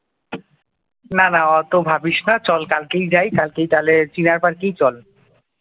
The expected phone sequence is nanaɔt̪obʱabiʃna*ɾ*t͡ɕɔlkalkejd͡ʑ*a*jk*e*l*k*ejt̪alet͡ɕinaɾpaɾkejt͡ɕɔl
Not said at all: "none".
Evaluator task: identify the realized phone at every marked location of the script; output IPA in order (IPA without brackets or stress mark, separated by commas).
none, a, a, k